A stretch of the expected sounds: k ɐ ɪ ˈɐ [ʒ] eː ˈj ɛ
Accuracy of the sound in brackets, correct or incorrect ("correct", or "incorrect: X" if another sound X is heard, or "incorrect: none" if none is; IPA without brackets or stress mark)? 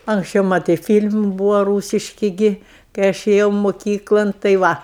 incorrect: ʃ